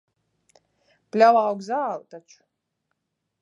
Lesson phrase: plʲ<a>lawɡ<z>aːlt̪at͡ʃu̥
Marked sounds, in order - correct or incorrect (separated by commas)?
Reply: correct, correct